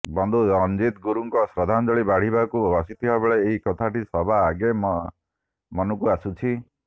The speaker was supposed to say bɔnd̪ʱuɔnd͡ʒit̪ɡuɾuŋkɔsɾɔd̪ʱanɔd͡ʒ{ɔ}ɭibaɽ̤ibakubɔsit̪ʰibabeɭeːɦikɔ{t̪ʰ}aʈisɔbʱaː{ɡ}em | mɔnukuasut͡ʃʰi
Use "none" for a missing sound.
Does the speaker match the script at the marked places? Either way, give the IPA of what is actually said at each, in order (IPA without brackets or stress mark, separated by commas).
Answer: ɔ, t̪ʰ, ɡ